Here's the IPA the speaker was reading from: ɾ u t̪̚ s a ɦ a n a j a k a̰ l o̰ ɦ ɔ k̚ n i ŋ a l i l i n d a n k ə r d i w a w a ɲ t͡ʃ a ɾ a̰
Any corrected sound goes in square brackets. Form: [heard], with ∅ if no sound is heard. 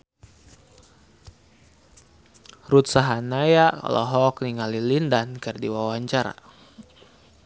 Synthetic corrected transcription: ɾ u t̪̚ s a ɦ a n a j a k a̰ l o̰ ɦ ɔ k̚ n i ŋ a l i l i n d a n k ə r d i w a w a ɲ t͡ʃ a ɾ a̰